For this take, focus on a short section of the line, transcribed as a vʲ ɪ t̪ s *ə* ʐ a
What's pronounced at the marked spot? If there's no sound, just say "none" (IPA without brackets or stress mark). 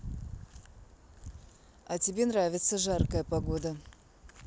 ə